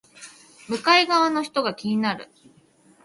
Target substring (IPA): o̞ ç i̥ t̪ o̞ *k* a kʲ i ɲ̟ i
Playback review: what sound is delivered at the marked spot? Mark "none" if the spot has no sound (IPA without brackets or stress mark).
ɡ